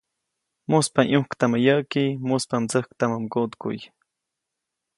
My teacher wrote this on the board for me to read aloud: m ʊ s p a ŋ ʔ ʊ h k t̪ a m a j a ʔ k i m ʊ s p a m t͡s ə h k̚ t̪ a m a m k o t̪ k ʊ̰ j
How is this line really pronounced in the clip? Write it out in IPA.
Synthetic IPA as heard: m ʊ s p a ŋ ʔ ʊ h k t̪ a m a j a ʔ k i m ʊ s p a m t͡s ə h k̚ t̪ a m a m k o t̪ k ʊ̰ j